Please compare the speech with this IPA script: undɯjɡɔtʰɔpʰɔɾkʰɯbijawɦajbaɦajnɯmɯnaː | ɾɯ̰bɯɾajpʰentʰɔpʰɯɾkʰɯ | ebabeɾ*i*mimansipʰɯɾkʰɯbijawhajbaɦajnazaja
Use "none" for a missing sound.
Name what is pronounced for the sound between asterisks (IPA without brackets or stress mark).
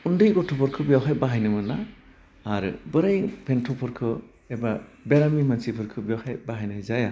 a